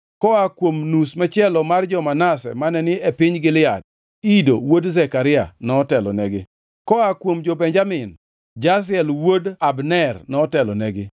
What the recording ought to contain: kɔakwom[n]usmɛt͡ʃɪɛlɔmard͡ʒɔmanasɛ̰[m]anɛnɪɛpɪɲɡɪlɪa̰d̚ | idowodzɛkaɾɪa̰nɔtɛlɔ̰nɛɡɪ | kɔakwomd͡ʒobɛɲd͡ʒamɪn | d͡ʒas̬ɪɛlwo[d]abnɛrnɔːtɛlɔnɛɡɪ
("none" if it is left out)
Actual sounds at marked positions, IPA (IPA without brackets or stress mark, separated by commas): n, m, d